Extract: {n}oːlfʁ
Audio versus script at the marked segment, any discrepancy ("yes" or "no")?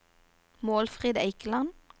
yes